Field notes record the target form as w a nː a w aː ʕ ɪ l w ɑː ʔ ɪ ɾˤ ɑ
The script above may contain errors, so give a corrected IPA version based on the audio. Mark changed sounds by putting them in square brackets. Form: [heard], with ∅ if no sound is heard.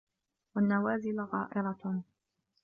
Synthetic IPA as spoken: w a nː a w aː [z] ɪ l [ɣ] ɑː ʔ ɪ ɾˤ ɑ